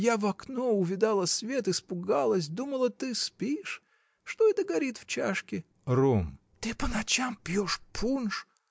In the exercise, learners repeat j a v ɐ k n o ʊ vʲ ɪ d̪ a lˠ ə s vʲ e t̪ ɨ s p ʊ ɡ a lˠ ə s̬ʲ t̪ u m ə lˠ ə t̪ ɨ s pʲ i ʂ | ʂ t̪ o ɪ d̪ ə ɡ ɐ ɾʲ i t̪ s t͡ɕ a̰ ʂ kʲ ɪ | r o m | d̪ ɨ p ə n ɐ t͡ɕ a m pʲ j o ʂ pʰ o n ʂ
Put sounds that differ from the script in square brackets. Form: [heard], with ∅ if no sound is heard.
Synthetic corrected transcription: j a v ɐ k n o ʊ vʲ ɪ d̪ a lˠ ə s vʲ e t̪ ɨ s p ʊ ɡ a lˠ ə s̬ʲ [d̪] u m ə lˠ ə t̪ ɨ s pʲ i ʂ | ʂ t̪ o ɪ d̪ ə ɡ ɐ ɾʲ i t̪ [f] t͡ɕ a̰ ʂ kʲ ɪ | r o m | [t̪] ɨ p ə n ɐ t͡ɕ a m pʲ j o ʂ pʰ [u] n ʂ